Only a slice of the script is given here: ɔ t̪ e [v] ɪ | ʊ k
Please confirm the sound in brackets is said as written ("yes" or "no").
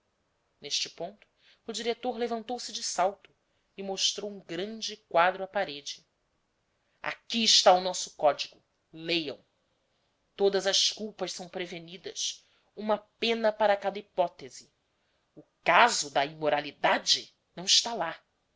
no